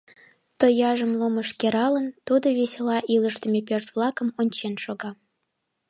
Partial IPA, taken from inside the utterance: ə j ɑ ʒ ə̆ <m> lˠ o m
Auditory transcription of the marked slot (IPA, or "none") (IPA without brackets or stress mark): m